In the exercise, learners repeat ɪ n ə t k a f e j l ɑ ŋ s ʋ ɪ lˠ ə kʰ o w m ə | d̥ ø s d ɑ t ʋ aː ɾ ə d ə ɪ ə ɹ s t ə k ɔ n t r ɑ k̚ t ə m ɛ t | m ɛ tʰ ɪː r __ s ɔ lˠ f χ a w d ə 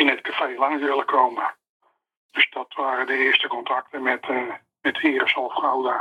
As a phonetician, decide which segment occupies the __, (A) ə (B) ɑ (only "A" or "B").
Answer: A